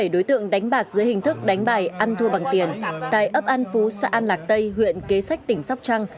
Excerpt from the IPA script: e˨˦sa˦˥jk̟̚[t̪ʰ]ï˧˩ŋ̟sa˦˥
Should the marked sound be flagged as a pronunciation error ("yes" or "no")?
yes